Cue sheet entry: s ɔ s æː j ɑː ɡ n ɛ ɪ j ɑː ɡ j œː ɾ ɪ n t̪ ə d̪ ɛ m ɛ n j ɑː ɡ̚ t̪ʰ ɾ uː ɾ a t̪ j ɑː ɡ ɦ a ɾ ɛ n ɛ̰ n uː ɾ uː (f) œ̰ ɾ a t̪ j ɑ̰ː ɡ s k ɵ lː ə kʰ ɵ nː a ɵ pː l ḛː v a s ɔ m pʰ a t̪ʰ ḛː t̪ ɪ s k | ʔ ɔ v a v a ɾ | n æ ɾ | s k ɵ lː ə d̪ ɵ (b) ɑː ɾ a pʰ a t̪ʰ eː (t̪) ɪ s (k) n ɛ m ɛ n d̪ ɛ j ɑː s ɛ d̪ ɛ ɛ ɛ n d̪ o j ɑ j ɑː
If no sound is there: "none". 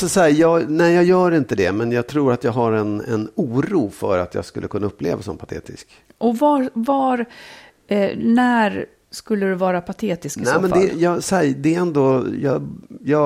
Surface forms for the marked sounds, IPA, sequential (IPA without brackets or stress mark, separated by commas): f, v, t̪, k